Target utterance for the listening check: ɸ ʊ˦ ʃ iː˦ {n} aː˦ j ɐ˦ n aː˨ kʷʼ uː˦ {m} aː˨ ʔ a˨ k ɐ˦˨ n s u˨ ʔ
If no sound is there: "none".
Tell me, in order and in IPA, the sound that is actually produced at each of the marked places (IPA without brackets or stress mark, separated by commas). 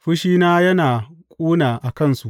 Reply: n, n